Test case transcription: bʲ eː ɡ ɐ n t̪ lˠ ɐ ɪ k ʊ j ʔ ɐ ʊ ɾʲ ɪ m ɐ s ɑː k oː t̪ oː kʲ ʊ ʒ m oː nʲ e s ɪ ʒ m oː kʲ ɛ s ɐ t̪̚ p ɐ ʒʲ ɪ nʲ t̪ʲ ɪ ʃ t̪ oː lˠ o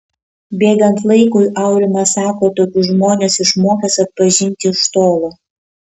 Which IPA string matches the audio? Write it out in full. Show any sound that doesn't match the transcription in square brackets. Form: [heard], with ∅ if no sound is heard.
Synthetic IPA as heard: bʲ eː ɡ ɐ n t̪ lˠ ɐ ɪ k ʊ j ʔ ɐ ʊ ɾʲ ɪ m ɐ s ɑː k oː t̪ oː kʲ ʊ ʒ m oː nʲ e s ɪ [ʃ] m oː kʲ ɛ s ɐ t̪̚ p ɐ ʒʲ ɪ nʲ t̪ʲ ɪ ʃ t̪ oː lˠ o

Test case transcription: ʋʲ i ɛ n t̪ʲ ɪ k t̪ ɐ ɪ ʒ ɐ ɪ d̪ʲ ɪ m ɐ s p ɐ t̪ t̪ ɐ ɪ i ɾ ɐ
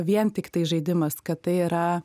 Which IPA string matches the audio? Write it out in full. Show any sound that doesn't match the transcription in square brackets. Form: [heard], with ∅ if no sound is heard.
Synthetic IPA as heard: ʋʲ i ɛ n t̪ʲ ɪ k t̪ ɐ ɪ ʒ ɐ ɪ d̪ʲ ɪ m ɐ s [k] ɐ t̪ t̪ ɐ ɪ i ɾ ɐ

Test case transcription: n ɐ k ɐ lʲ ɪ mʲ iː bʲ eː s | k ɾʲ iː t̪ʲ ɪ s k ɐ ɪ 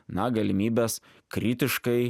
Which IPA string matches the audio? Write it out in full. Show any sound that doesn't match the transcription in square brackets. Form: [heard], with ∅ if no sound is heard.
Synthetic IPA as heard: n ɐ [ɡ] ɐ lʲ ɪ mʲ iː bʲ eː s | k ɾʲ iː t̪ʲ ɪ [ʃ] k ɐ ɪ

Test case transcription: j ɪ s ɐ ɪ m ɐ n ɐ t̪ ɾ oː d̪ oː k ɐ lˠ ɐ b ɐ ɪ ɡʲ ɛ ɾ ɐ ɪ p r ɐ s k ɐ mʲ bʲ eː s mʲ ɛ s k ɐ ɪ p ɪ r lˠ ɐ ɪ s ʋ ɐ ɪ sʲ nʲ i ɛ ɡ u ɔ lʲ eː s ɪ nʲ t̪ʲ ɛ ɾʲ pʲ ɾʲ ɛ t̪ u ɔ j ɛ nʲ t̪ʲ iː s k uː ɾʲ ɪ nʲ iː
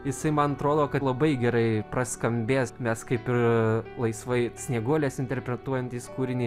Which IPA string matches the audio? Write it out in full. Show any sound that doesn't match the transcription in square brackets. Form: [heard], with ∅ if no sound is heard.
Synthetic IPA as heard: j ɪ s ɐ ɪ m ɐ n ɐ t̪ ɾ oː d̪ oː k ɐ lˠ ɐ b ɐ ɪ ɡʲ ɛ ɾ ɐ ɪ p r ɐ s k ɐ mʲ bʲ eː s mʲ ɛ s k ɐ ɪ p ɪ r lˠ ɐ ɪ s ʋ ɐ ɪ sʲ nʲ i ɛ ɡ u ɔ lʲ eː s ɪ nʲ t̪ʲ ɛ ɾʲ pʲ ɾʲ ɛ t̪ u ɔ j ɛ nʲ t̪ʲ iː s k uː ɾʲ ɪ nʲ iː

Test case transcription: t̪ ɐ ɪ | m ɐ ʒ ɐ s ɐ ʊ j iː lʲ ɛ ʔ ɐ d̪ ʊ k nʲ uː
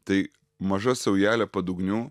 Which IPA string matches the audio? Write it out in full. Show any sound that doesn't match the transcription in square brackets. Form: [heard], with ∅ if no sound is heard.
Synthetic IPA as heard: t̪ ɐ ɪ | m ɐ ʒ ɐ s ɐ ʊ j [æː] lʲ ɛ [p] ɐ d̪ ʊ [ɡ] nʲ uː

